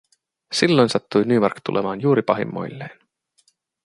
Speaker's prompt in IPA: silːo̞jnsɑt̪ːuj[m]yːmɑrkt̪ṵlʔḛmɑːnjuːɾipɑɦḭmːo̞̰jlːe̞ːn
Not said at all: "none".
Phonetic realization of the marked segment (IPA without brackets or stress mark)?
n